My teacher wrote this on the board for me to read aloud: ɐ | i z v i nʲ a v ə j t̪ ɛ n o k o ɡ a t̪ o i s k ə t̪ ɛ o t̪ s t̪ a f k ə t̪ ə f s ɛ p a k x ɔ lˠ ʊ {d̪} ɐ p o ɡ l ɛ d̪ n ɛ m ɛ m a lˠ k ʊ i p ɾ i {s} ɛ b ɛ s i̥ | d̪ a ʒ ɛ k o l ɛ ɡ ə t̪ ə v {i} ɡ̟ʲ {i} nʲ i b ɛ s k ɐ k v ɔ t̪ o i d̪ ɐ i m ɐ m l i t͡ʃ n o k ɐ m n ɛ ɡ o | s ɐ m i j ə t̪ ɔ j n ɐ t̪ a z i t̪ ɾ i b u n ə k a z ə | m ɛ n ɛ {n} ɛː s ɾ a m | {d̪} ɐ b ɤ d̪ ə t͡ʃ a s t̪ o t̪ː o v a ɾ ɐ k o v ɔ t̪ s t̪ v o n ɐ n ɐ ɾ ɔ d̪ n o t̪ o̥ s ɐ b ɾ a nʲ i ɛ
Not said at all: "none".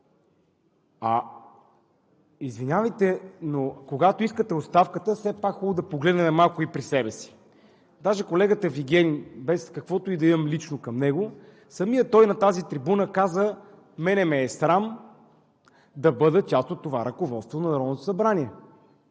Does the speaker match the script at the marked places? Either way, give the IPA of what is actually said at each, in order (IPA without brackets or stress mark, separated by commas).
d̪, s, i, ɛ, m, d̪